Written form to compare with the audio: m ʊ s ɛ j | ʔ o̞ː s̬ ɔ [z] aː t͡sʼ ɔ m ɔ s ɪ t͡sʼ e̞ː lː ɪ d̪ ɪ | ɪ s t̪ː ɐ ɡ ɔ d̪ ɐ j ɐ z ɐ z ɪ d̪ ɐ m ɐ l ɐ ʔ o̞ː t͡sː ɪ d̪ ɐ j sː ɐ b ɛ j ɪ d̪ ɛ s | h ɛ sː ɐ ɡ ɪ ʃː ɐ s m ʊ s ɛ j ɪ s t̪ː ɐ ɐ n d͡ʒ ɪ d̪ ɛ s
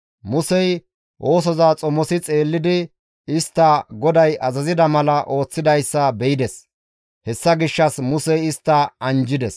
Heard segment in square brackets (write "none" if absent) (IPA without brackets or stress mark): z